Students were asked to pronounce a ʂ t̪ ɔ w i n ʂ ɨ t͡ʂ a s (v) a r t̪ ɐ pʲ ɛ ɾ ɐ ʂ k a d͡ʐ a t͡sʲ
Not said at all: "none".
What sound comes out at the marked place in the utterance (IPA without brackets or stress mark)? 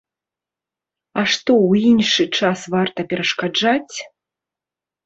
v